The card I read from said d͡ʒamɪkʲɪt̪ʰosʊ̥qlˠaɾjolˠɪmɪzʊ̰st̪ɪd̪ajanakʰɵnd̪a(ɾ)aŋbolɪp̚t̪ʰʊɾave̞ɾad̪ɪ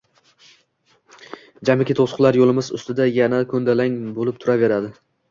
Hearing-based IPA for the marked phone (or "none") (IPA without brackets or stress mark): l